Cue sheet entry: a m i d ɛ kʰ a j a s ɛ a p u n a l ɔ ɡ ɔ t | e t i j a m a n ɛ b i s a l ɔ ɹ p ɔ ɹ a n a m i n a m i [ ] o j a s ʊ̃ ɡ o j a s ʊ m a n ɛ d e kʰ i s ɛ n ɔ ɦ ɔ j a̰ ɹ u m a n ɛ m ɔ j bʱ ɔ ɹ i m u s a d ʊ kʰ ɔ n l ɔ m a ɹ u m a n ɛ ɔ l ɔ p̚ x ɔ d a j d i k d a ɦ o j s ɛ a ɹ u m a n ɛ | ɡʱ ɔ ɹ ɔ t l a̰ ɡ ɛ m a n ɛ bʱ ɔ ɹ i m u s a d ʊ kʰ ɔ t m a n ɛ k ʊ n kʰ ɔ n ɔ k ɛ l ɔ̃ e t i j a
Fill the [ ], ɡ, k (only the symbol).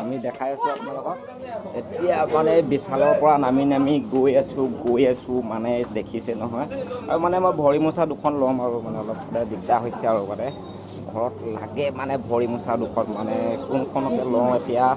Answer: ɡ